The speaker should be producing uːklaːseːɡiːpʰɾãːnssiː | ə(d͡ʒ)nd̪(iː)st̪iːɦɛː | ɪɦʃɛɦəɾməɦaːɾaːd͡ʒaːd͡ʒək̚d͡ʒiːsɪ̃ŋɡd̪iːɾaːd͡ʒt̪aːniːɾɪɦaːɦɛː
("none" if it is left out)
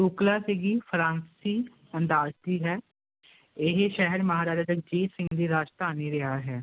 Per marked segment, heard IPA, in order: none, aː

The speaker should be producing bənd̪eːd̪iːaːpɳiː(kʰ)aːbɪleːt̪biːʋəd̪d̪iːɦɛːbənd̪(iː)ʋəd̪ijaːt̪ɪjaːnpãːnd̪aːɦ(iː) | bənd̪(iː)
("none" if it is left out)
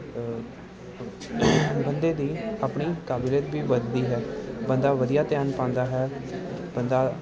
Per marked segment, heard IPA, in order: k, aː, ɛː, aː

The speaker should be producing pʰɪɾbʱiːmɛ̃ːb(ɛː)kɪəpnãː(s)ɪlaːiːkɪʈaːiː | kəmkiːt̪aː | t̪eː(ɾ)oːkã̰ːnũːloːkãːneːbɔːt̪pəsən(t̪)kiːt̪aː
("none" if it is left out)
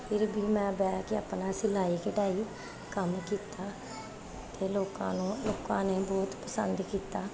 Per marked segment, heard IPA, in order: ɛː, s, l, d̪

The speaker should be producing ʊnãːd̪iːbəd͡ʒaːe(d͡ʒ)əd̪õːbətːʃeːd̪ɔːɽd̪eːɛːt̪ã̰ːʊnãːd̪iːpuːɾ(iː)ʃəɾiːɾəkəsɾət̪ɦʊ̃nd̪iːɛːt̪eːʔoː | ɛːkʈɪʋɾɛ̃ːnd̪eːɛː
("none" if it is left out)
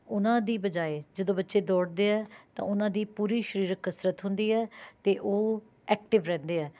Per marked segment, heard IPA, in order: d͡ʒ, iː

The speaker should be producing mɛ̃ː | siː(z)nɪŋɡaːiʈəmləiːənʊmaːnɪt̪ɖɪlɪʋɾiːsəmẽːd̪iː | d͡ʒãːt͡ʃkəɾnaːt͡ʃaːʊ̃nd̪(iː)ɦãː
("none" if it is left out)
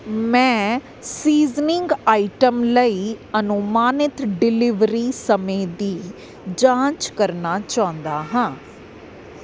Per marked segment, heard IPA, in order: z, aː

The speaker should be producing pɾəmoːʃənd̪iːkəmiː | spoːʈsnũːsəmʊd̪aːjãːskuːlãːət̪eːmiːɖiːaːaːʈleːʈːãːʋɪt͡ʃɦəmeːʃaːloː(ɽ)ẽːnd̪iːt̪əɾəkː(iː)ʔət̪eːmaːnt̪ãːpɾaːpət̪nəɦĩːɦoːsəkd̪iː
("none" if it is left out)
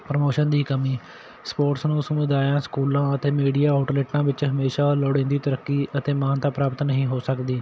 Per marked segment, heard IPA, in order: ɽ, iː

